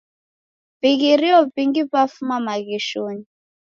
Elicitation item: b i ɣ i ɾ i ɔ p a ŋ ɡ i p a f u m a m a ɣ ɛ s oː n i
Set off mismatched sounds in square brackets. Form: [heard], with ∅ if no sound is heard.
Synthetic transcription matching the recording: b i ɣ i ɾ i ɔ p [i] ŋ ɡ i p a f u m a m a ɣ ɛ [ʃ] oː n i

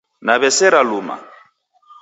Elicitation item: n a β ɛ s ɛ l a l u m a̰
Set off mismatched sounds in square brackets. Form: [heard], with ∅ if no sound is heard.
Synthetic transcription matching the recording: n a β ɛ s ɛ [ɾ] a l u m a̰

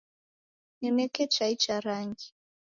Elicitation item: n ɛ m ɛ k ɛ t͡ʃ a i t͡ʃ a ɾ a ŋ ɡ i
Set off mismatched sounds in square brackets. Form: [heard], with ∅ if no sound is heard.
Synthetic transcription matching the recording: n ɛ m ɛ k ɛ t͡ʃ a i t͡ʃ a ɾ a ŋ ɡ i

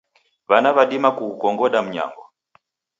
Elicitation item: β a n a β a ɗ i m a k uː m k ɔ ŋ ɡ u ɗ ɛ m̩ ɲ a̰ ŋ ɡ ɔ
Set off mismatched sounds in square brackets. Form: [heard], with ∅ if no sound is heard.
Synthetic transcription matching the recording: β a n a β a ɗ i m a k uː [∅] k ɔ ŋ ɡ [ɔ] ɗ [a] m̩ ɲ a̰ ŋ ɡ ɔ

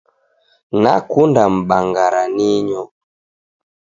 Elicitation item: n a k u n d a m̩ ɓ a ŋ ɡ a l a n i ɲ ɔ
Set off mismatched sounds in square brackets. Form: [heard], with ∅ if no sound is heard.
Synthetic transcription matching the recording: n a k u n d a m̩ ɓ a ŋ ɡ a [ɾ] a n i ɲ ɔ

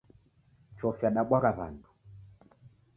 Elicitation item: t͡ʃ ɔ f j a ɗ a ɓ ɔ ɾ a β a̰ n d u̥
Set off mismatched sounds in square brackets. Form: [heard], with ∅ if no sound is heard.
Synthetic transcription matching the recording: t͡ʃ ɔ f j a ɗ a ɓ ɔ ɾ a β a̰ n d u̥

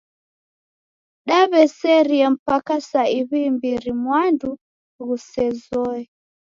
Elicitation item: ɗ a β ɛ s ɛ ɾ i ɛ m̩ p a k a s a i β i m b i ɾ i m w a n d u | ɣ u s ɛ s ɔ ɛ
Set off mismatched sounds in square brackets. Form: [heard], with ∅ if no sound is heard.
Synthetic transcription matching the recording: ɗ a β ɛ s ɛ ɾ i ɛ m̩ p a k a s a i β i m b i ɾ i m w a n d u | ɣ u s ɛ [z] ɔ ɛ

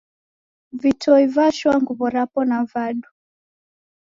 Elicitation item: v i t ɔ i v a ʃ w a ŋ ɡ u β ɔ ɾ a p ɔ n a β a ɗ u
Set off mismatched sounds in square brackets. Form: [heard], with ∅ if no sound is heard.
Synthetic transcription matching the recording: v i t ɔ i v a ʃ w a ŋ ɡ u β ɔ ɾ a p ɔ n a [v] a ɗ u

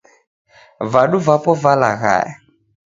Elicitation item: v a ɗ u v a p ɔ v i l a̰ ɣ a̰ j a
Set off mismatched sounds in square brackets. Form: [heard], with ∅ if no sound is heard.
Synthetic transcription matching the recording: v a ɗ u v a p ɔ v [a] l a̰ ɣ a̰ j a

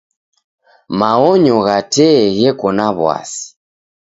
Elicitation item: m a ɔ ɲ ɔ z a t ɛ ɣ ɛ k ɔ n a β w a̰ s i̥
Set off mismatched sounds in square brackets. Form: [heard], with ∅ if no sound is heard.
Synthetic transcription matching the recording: m a ɔ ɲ ɔ [ɣ] a t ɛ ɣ ɛ k ɔ n a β w a̰ s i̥

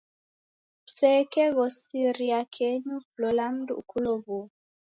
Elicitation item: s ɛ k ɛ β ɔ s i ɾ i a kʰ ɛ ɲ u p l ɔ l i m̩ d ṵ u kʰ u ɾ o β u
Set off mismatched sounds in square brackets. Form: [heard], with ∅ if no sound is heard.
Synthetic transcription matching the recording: s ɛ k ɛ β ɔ s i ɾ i a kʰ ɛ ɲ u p l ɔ l [a] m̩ d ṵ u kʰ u [l] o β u

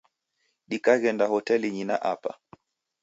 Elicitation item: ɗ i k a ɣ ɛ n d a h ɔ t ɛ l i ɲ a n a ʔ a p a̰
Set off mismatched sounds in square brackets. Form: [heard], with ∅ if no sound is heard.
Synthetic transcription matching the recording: ɗ i k a ɣ ɛ n d a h ɔ t ɛ l i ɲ [i] n a ʔ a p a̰

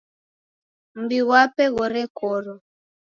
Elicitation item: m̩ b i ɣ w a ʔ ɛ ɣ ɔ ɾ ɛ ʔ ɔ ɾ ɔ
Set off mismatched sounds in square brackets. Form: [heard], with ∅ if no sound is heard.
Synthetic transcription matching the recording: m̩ b i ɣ w a [p] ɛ ɣ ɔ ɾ ɛ [k] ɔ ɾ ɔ

